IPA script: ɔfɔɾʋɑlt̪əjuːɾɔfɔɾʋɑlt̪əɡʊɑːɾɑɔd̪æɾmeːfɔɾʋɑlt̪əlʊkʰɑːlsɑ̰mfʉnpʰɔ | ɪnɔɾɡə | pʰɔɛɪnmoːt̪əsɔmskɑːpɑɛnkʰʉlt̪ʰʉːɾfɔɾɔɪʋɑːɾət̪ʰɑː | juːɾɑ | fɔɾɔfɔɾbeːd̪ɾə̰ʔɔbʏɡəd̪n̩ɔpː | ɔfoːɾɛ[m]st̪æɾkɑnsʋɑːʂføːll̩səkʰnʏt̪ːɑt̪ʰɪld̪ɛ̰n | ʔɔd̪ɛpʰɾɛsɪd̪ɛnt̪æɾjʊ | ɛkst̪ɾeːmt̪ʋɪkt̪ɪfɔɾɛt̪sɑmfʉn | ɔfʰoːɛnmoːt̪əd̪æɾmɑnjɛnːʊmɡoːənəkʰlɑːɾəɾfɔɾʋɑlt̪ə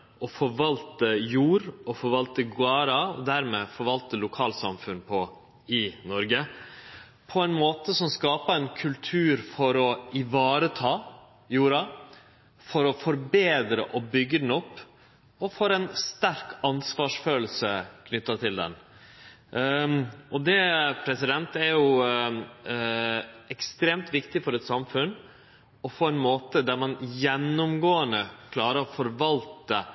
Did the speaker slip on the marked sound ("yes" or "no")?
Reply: yes